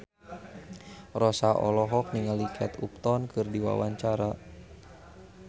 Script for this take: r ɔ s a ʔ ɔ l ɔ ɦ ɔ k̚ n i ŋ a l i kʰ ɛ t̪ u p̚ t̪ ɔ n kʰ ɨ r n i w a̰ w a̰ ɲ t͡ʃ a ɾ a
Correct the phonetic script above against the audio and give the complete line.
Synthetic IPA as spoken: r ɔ s a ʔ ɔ l ɔ ɦ ɔ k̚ n i ŋ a l i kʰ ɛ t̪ u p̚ t̪ ɔ n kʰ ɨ r d i w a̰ w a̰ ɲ t͡ʃ a ɾ a